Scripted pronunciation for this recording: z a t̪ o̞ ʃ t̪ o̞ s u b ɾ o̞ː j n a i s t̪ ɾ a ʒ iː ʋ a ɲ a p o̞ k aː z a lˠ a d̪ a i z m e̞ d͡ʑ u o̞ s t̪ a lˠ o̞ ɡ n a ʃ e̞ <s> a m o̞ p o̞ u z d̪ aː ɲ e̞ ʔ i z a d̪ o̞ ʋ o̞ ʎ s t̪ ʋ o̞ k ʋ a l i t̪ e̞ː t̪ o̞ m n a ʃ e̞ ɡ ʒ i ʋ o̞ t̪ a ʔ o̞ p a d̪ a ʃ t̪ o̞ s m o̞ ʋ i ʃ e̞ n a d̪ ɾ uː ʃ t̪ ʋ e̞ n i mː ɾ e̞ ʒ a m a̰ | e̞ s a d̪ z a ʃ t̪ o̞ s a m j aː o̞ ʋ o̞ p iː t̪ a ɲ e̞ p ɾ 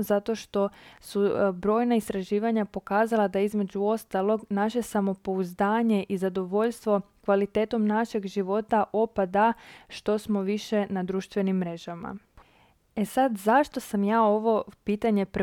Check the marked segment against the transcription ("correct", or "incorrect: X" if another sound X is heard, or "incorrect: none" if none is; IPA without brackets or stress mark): correct